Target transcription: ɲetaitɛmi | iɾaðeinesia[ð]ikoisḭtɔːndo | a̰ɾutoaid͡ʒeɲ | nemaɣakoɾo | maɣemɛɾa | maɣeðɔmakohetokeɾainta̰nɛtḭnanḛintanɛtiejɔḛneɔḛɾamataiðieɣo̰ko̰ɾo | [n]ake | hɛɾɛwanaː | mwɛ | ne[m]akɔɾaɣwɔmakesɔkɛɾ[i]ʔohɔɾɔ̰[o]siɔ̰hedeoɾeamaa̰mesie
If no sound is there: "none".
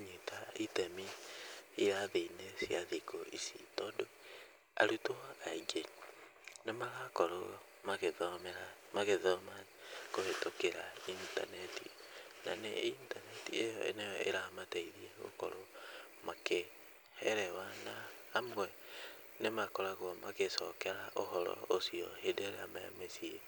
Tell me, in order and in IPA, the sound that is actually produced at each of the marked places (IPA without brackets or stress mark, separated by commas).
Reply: ð, m, m, a, o